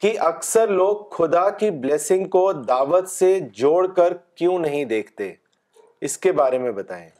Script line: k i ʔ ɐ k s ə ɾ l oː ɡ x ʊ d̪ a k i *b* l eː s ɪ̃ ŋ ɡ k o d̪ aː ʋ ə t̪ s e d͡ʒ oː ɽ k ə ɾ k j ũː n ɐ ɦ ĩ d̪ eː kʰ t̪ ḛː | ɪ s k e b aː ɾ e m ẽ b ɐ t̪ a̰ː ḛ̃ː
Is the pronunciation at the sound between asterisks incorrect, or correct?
correct